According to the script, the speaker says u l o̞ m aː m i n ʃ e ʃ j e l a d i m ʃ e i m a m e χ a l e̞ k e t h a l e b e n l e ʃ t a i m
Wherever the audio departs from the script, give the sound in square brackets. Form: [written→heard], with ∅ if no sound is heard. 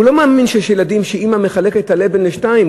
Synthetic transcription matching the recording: u l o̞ m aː m i n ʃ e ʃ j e l a d i m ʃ e i m a m e χ a l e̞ k e t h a l e b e n l e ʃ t a i m